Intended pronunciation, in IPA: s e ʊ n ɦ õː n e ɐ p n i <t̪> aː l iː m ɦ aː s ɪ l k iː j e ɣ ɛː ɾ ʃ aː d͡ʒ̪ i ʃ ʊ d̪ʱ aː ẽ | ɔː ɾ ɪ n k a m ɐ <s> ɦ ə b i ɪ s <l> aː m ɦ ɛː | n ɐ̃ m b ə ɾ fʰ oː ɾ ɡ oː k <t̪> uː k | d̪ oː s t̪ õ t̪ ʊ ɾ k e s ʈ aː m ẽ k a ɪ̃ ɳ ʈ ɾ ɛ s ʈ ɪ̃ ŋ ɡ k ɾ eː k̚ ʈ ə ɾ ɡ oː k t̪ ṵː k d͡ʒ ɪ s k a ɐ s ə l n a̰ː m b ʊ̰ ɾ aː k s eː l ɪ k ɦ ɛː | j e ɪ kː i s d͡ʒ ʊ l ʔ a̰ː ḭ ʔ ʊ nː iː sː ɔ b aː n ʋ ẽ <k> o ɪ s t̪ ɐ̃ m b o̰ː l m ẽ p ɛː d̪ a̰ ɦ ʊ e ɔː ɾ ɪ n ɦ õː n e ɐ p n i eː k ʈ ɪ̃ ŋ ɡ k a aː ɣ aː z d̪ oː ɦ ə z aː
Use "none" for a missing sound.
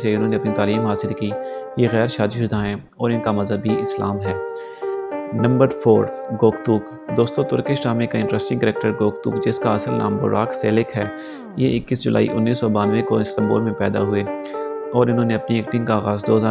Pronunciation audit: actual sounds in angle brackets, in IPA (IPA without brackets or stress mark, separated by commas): t̪, z, l, t̪, k